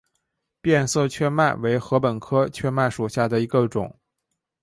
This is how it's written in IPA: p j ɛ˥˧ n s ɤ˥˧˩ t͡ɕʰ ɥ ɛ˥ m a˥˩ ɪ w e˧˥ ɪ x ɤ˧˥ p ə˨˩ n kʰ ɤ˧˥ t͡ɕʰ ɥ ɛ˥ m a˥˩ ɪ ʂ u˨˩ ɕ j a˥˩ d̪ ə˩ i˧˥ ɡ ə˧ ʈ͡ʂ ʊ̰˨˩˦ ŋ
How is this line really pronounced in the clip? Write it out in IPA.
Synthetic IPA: p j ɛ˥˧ n s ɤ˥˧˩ t͡ɕʰ ɥ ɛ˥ m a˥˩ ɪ w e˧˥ ɪ x ɤ˧˥ p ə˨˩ n kʰ ɤ˥ t͡ɕʰ ɥ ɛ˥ m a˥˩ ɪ ʂ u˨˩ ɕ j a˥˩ d̪ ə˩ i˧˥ ɡ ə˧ ʈ͡ʂ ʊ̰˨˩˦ ŋ